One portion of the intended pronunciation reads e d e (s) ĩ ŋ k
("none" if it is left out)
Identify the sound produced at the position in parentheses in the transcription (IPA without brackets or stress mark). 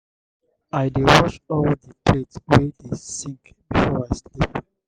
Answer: s